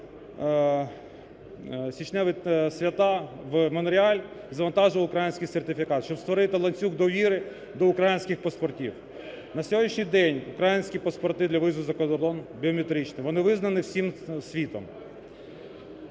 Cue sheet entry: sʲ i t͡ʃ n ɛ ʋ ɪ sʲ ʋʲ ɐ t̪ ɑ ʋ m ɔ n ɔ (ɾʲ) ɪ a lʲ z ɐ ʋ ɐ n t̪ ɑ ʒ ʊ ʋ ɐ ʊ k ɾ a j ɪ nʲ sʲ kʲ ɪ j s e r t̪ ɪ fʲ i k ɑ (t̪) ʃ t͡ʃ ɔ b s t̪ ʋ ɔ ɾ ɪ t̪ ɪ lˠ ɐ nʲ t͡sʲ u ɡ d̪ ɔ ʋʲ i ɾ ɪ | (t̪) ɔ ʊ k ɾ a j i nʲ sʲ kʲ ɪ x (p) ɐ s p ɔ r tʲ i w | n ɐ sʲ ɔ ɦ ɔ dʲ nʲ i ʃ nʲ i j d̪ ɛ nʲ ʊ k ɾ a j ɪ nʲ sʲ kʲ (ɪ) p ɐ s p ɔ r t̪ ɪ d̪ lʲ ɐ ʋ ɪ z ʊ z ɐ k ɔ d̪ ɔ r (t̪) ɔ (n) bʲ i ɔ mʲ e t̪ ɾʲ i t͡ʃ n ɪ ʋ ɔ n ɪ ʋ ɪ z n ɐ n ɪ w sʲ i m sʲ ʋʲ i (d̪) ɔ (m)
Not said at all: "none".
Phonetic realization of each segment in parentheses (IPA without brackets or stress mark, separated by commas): ɾʲ, t̪, d̪, p, i, d̪, n, t̪, m